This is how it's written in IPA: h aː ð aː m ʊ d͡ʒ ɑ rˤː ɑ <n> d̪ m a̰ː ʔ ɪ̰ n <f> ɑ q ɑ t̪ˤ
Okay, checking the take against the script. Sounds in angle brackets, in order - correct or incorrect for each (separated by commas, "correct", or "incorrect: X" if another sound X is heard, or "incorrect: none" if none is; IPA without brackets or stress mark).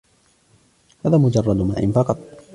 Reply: incorrect: none, correct